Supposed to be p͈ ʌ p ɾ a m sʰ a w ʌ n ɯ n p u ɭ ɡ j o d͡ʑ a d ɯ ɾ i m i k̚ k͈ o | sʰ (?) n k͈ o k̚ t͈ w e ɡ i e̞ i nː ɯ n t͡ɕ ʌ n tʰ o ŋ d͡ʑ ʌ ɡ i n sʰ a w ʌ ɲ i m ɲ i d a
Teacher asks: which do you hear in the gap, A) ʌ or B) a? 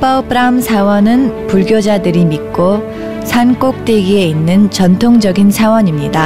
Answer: B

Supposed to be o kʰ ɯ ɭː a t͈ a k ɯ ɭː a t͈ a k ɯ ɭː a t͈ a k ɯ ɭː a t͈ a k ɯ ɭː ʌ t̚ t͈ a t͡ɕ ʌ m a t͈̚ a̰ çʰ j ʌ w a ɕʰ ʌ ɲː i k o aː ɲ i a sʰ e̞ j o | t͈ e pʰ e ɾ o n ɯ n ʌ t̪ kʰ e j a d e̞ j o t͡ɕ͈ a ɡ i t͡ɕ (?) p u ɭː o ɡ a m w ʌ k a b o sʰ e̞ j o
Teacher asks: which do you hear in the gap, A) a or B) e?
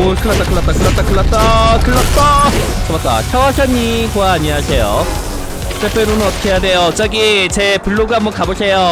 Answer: B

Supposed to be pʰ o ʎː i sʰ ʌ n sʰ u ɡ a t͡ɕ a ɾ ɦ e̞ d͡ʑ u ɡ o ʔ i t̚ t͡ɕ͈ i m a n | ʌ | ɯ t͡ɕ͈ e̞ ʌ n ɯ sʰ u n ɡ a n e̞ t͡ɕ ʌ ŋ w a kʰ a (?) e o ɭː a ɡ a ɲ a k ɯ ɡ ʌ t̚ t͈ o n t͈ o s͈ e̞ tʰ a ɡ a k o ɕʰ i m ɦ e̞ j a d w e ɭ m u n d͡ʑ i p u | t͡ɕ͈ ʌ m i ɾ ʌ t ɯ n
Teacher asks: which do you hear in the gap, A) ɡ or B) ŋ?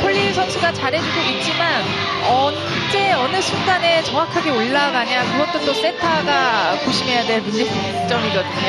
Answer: A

